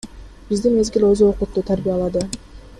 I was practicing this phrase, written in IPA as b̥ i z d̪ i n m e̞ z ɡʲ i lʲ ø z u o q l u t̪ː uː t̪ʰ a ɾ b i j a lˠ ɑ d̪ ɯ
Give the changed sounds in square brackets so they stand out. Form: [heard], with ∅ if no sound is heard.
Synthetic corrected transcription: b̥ i z d̪ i n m e̞ z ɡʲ i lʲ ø z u o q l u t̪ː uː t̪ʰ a ɾ b i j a lˠ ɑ d̪ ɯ

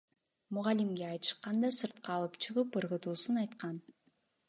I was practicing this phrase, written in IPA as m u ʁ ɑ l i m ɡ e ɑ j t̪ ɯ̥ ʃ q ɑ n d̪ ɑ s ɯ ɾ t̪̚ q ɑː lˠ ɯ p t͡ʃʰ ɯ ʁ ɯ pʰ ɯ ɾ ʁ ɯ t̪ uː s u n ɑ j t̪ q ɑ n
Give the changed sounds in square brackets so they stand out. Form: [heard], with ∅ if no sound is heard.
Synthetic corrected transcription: m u ʁ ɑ l i m ɡ e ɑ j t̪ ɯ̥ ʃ q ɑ n d̪ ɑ s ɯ ɾ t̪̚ q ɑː lˠ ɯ p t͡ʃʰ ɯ ʁ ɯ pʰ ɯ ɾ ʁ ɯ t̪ uː s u n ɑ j t̪ q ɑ n

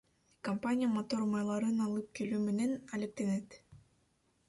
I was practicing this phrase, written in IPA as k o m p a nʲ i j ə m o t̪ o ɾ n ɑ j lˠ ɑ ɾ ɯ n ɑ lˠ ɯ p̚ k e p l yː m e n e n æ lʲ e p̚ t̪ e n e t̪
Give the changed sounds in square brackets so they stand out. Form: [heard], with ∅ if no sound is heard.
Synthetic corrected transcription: k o m p a nʲ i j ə m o t̪ o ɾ [m] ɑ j lˠ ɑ ɾ ɯ n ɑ lˠ ɯ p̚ k e [∅] l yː m e n e n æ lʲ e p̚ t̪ e n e t̪

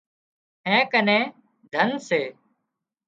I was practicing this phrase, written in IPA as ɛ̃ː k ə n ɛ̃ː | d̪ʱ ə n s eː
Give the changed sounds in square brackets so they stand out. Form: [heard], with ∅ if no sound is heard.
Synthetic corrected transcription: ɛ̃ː k ə n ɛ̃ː | d̪ʱ ə n s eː

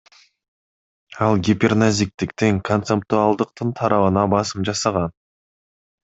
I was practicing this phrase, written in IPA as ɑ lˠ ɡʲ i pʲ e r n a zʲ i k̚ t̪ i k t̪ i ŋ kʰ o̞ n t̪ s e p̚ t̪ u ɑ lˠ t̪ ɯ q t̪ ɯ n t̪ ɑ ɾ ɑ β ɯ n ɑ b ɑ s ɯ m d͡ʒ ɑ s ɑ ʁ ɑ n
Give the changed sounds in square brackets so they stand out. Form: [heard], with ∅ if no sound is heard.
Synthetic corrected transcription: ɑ lˠ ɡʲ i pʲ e r n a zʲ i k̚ t̪ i k t̪ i ŋ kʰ o̞ n t̪ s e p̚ t̪ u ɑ lˠ [d̪] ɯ q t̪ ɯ n [t̪ʰ] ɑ ɾ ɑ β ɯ n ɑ b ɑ s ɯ m d͡ʒ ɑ s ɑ ʁ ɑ n

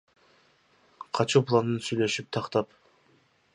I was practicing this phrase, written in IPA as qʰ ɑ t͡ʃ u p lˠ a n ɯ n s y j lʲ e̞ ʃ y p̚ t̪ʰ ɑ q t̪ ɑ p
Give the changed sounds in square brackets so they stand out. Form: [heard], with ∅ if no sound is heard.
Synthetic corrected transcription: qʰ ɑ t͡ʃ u p lˠ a n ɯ n s y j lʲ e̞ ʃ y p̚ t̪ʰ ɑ q t̪ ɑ p

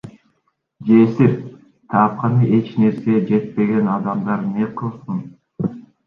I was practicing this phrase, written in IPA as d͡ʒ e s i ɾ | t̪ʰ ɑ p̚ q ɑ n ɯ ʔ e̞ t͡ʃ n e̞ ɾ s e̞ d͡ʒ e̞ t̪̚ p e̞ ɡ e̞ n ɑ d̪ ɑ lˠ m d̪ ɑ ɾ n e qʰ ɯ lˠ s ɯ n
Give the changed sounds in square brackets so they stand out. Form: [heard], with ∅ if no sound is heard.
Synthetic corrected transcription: d͡ʒ e s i ɾ | t̪ʰ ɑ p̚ q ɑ n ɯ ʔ e̞ t͡ʃ n e̞ ɾ s e̞ d͡ʒ e̞ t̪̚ p e̞ ɡ e̞ n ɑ d̪ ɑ [∅] m d̪ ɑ ɾ n e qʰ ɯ lˠ s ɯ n

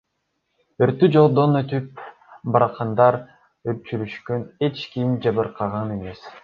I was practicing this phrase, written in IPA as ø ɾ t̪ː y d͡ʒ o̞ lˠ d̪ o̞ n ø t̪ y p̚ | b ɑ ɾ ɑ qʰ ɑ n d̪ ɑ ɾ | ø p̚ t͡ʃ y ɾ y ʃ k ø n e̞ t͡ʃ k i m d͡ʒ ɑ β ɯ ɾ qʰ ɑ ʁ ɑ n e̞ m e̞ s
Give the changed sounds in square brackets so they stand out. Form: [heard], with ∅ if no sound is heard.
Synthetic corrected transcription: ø ɾ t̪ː y d͡ʒ o̞ lˠ d̪ o̞ n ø t̪ y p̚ | b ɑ ɾ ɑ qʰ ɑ n d̪ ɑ ɾ | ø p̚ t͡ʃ y ɾ y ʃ k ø n e̞ t͡ʃ k i m d͡ʒ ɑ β ɯ ɾ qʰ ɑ ʁ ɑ n e̞ m e̞ s

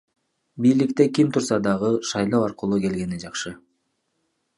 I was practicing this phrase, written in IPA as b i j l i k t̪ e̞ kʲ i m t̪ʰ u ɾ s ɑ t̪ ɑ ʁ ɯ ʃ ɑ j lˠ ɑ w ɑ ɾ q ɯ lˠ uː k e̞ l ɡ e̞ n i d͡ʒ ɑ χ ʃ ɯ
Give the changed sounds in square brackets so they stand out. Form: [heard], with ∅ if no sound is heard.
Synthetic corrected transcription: b i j l i k t̪ e̞ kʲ i m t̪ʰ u ɾ s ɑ [d̪] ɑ ʁ ɯ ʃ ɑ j lˠ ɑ w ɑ ɾ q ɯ lˠ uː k e̞ l ɡ e̞ n i d͡ʒ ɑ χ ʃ ɯ

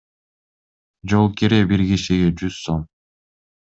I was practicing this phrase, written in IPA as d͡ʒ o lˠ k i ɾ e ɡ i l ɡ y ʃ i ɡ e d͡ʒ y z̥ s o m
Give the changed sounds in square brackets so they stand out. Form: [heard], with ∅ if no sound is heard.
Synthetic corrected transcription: d͡ʒ o lˠ k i ɾ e [b] i [ɾ] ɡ [i] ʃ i ɡ e d͡ʒ y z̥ s o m

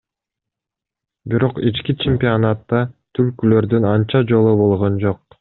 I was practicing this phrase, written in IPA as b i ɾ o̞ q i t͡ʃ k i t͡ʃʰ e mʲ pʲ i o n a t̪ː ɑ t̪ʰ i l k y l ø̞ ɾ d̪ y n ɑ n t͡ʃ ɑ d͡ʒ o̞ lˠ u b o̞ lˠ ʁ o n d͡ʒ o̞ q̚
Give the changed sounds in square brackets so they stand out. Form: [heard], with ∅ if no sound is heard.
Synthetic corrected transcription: b i ɾ o̞ q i t͡ʃ k i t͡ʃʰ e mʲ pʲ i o n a t̪ː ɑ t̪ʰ [y] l k y l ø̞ ɾ d̪ y n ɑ n t͡ʃ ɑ d͡ʒ o̞ lˠ u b o̞ lˠ ʁ o n d͡ʒ o̞ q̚

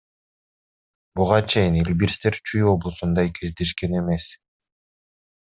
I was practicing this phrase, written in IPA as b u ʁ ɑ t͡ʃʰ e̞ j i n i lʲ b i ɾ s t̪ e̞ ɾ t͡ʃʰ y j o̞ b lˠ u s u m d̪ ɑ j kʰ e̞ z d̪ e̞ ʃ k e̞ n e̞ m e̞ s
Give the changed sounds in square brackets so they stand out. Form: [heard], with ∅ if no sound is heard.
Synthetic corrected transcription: b u ʁ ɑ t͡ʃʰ e̞ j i n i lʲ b i ɾ s t̪ e̞ ɾ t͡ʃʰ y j o̞ b lˠ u s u [n] d̪ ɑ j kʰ e̞ z d̪ e̞ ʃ k e̞ n e̞ m e̞ s

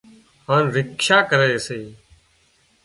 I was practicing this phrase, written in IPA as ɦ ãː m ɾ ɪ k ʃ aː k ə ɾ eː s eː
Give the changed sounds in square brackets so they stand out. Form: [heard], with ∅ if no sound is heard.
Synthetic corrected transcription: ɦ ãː [n] ɾ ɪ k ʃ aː k ə ɾ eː s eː

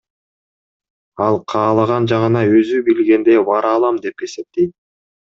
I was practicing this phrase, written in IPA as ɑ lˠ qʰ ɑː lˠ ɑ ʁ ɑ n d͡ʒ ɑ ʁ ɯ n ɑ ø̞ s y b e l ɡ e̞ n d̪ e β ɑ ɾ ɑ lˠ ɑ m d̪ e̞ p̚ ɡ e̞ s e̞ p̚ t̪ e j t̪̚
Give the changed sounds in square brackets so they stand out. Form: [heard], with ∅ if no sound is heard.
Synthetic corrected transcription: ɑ lˠ qʰ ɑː lˠ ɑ ʁ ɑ n d͡ʒ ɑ ʁ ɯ n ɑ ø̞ [z] y b [i] l ɡ e̞ n d̪ e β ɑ ɾ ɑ lˠ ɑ m d̪ e̞ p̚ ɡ e̞ s e̞ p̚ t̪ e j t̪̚

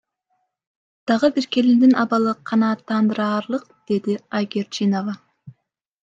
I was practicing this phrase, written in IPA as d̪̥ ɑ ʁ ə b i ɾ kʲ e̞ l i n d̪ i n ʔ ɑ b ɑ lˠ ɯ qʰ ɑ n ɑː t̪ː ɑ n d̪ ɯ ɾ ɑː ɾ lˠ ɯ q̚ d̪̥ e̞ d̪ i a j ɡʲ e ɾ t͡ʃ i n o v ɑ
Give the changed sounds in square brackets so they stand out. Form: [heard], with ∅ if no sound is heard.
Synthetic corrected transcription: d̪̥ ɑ ʁ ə b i ɾ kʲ e̞ l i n d̪ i n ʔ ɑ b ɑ lˠ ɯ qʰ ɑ n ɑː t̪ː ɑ n d̪ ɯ ɾ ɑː ɾ lˠ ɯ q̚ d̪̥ e̞ d̪ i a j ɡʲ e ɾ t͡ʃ i n o v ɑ

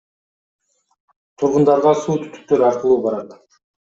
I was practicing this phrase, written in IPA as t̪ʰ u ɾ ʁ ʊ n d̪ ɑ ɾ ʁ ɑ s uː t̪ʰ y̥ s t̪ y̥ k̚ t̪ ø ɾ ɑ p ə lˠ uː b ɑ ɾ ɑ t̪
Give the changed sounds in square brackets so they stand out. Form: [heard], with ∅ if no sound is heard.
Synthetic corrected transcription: t̪ʰ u ɾ ʁ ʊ n d̪ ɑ ɾ ʁ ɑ s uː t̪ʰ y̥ [∅] t̪ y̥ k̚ t̪ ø ɾ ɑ [q] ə lˠ uː b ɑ ɾ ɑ t̪

